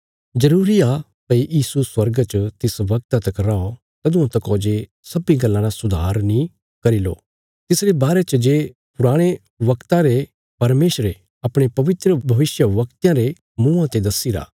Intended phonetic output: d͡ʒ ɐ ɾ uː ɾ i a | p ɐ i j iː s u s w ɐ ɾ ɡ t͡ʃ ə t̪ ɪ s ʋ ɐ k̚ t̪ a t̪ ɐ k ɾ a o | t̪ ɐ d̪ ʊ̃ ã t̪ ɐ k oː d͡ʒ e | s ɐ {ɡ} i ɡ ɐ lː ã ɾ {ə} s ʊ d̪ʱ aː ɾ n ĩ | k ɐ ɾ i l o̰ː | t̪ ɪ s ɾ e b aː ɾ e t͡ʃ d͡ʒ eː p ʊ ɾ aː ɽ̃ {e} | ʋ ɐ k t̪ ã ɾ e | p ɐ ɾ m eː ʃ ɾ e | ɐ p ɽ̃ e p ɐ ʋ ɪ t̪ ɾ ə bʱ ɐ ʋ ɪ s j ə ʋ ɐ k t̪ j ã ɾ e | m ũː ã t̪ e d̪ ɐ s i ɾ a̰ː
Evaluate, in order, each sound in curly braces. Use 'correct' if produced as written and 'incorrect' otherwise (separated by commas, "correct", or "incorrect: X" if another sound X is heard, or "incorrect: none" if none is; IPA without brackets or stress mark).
incorrect: b, incorrect: a, correct